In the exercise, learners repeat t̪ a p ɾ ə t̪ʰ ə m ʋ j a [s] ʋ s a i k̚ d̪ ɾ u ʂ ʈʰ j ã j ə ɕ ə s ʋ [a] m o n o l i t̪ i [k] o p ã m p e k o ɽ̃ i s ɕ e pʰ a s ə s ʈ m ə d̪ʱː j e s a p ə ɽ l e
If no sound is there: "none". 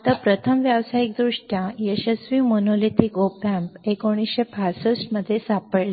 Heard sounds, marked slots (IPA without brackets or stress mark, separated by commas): none, i, k